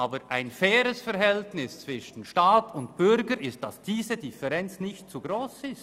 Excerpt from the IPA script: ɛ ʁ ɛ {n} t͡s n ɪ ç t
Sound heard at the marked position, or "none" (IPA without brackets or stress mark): n